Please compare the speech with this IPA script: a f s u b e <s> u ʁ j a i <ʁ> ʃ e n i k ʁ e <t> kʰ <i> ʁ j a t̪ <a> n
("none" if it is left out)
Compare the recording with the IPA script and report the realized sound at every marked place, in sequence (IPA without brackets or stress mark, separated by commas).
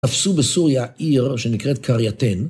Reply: s, ʁ, t, a, e